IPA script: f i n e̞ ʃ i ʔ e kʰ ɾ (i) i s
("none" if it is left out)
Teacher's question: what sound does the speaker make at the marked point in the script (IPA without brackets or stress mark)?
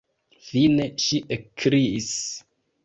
i